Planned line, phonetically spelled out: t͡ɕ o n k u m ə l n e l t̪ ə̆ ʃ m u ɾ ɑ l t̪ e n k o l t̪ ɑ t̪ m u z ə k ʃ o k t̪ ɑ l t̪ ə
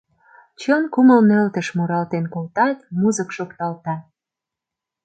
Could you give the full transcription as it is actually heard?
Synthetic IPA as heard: t͡ɕ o n k u m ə l n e l t̪ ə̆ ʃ m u ɾ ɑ l t̪ e n k o l t̪ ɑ t̪ m u z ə k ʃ o k t̪ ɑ l t̪ ɑ